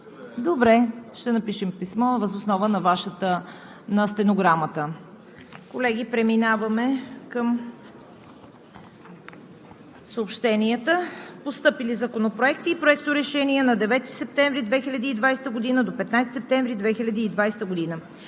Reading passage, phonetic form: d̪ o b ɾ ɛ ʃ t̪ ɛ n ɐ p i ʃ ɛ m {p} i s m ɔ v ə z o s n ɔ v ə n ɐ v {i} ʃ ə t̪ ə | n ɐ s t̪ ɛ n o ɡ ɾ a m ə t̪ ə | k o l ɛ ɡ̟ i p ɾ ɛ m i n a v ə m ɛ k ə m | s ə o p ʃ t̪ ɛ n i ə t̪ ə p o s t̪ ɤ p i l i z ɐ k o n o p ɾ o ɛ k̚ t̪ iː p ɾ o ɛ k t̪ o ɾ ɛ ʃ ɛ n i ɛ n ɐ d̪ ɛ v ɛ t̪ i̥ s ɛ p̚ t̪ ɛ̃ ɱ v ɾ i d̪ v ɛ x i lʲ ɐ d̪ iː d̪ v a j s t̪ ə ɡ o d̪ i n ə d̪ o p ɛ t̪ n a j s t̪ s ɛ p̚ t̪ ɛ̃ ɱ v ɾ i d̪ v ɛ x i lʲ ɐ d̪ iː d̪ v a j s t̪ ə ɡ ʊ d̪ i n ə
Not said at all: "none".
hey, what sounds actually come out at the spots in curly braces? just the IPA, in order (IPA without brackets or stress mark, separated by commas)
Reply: p, a